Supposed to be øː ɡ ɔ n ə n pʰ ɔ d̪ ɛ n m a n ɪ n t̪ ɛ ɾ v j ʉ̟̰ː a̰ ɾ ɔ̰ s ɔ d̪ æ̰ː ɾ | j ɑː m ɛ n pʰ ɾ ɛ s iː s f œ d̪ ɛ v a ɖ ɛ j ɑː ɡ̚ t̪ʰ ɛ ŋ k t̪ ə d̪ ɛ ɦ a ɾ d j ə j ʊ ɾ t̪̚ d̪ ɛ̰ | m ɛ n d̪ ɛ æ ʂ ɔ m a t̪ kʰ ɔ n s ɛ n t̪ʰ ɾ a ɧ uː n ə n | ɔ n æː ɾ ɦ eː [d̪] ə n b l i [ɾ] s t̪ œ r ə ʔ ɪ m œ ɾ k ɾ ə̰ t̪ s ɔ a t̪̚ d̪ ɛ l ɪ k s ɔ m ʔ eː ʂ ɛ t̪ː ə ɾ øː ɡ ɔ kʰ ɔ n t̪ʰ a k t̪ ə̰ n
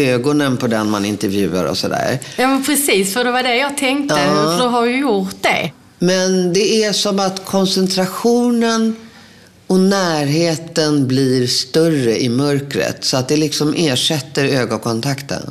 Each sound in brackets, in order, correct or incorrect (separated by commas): incorrect, correct